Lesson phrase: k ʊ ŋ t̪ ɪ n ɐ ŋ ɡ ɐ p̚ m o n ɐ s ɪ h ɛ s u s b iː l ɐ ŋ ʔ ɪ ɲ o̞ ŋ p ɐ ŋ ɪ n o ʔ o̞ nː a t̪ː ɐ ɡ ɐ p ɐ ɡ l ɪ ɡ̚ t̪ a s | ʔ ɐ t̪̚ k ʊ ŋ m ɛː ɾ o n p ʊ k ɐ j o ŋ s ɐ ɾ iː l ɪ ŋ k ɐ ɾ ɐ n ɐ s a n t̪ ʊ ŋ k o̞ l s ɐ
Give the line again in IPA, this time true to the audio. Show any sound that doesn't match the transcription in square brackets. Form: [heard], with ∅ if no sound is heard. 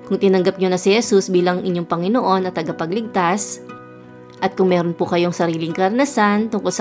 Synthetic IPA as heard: k ʊ ŋ t̪ ɪ n ɐ ŋ ɡ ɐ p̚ [ɲ] o n ɐ s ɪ h ɛ s u s b iː l ɐ ŋ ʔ ɪ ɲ o̞ ŋ p ɐ ŋ ɪ n o ʔ o̞ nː [ɐ] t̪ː ɐ ɡ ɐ p ɐ ɡ l ɪ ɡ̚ t̪ a s | ʔ ɐ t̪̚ k ʊ ŋ m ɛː ɾ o n p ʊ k ɐ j o ŋ s ɐ ɾ iː l ɪ ŋ k ɐ ɾ ɐ n ɐ s a n t̪ ʊ ŋ k o̞ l s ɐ